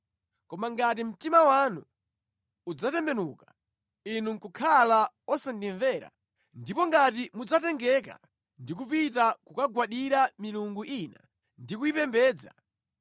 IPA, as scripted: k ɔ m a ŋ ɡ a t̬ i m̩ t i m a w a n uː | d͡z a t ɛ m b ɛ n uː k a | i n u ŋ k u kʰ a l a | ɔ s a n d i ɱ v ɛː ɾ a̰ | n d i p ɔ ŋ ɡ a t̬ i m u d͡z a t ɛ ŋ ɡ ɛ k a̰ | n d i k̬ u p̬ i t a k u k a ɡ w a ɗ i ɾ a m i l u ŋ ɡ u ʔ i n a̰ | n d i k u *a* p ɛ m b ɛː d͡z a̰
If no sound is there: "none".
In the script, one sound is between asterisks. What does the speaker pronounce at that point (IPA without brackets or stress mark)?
i